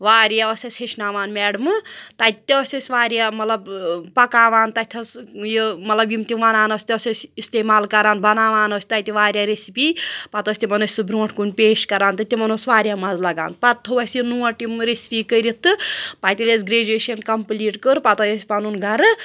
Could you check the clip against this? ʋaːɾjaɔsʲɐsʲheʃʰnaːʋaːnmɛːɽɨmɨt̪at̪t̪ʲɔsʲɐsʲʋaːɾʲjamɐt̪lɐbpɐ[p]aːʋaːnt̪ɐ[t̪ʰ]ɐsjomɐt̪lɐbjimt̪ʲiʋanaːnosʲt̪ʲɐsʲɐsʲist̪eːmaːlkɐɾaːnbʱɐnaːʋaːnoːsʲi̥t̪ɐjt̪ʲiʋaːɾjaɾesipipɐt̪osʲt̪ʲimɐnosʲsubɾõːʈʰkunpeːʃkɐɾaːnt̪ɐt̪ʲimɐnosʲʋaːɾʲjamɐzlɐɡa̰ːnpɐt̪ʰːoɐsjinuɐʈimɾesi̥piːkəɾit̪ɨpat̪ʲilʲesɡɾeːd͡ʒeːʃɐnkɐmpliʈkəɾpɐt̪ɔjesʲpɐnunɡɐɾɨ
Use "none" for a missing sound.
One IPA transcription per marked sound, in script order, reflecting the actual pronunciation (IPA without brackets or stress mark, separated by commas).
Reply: k, t̪ʰ